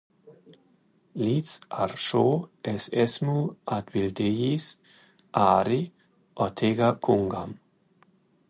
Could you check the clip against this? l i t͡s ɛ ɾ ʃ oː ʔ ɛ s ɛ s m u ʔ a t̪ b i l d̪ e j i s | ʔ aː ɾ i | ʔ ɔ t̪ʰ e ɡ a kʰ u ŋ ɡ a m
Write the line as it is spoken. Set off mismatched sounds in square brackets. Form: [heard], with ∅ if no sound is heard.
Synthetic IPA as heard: l i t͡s [a] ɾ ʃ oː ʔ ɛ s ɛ s m u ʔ a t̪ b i l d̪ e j i s | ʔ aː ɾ i | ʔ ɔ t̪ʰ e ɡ a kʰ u ŋ ɡ a m